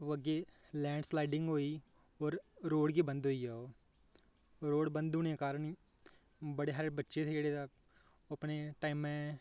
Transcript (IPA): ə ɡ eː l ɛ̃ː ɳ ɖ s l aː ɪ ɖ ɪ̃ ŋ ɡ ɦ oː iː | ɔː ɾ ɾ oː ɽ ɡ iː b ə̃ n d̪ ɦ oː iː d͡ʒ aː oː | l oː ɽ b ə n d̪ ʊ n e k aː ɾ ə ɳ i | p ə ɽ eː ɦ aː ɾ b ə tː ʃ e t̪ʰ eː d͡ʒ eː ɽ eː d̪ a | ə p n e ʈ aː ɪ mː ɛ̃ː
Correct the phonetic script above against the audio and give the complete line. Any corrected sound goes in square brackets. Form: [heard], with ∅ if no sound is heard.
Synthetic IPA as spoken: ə ɡ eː l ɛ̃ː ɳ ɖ s l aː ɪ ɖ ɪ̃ ŋ ɡ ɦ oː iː | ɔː ɾ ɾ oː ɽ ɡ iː b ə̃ n d̪ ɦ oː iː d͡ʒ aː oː | [ɾ] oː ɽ b ə n d̪ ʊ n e k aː ɾ ə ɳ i | [b] ə ɽ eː ɦ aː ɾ b ə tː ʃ e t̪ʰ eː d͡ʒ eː ɽ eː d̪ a | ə p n e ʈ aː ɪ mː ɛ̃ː